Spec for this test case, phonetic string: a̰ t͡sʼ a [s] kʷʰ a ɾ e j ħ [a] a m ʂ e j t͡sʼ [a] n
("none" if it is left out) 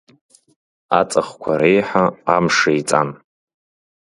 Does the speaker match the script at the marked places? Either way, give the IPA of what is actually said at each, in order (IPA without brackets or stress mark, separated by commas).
χ, a, a